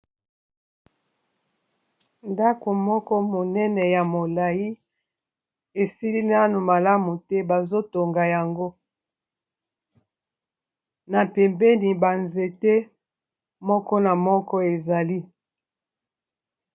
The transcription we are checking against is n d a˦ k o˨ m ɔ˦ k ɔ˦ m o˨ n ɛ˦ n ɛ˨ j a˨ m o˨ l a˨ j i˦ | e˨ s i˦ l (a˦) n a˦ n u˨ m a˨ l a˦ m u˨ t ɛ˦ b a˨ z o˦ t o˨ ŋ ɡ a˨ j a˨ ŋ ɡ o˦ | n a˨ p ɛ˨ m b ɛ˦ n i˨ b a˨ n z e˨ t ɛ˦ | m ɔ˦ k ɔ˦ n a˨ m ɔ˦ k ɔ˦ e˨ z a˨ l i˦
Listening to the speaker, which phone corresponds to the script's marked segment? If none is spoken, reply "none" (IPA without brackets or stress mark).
i˦